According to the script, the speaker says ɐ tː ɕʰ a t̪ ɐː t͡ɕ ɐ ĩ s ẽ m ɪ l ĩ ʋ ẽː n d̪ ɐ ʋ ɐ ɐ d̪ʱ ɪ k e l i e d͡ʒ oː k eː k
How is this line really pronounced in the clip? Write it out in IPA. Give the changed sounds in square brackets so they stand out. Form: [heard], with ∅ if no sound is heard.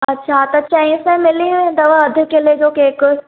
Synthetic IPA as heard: ɐ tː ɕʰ a t̪ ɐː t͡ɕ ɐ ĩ s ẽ m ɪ l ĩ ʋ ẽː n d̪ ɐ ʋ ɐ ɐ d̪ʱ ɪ k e l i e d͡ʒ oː k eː k